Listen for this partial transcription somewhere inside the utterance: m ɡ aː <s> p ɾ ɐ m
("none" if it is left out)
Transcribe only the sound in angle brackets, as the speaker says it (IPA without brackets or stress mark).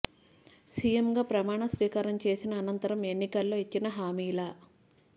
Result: none